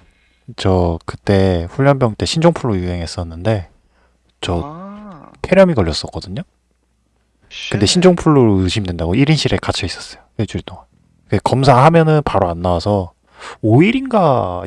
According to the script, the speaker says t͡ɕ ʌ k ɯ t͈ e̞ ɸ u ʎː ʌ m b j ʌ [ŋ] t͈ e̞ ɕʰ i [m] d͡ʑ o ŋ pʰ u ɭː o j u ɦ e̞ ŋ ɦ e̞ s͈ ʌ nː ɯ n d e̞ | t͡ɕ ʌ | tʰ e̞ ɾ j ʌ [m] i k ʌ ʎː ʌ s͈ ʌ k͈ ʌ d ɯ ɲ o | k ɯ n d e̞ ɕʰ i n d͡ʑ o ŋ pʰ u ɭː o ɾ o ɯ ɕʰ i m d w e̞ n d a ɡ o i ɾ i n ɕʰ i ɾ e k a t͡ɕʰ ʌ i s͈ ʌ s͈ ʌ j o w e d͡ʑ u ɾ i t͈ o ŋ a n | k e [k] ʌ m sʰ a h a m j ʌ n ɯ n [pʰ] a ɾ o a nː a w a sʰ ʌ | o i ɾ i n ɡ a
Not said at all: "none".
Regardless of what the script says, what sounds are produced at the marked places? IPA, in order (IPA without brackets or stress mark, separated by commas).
ŋ, n, m, k, p